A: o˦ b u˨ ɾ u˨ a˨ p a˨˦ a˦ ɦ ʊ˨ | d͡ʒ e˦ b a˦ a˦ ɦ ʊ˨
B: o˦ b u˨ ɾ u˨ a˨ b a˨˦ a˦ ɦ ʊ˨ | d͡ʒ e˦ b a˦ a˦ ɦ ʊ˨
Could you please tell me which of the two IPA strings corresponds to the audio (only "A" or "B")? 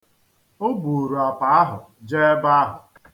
A